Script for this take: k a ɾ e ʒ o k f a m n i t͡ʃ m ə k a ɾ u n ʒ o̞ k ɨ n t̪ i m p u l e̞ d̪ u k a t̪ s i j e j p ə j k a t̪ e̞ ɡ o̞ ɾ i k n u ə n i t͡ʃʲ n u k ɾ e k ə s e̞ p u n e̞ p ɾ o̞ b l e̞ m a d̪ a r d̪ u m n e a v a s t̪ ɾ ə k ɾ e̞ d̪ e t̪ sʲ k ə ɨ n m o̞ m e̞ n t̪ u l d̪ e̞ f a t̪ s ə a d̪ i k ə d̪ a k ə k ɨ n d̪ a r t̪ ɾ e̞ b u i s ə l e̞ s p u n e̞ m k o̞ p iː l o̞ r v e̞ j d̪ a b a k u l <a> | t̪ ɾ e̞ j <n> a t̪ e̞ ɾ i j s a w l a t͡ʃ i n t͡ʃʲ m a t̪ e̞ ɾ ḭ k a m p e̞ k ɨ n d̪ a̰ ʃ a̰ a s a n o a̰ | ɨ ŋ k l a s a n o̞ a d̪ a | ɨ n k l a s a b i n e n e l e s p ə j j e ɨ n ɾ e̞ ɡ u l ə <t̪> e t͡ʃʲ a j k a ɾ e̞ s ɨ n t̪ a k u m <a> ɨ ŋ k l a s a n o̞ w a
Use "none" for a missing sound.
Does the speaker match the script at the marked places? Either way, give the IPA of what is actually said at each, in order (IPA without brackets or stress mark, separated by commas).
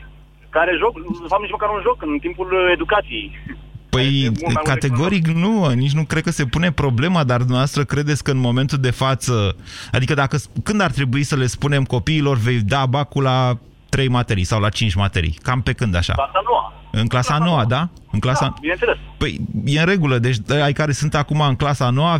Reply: a, m, d̪, a